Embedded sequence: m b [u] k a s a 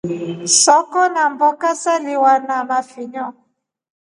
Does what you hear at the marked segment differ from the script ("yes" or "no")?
yes